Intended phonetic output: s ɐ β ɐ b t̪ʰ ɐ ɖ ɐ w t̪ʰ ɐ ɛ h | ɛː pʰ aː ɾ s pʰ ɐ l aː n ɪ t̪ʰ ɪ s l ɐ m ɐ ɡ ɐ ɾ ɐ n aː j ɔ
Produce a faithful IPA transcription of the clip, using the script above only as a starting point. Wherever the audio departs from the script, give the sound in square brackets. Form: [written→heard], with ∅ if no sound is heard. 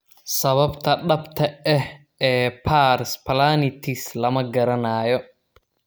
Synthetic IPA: s ɐ β ɐ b t̪ʰ ɐ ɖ ɐ [w→b] t̪ʰ ɐ ɛ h | ɛː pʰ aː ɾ s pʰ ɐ l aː n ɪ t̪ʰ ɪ s l ɐ m ɐ ɡ ɐ ɾ ɐ n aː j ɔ